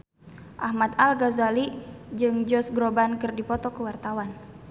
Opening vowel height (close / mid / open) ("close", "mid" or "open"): open